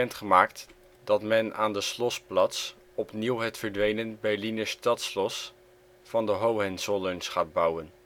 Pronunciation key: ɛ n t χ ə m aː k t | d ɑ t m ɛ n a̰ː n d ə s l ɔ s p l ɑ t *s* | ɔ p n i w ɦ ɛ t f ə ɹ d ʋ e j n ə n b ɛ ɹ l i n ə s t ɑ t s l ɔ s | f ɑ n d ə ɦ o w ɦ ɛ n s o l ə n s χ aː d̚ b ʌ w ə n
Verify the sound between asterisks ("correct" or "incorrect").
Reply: correct